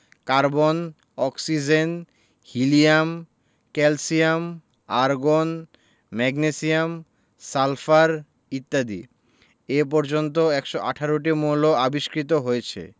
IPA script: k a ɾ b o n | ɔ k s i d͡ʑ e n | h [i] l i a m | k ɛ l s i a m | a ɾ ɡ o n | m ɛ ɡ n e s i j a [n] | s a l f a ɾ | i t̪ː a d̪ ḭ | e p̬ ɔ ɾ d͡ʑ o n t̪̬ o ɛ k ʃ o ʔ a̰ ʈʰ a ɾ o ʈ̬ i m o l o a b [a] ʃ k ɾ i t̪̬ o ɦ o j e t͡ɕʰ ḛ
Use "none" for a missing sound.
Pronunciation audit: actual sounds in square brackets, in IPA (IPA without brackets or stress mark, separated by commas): i, m, i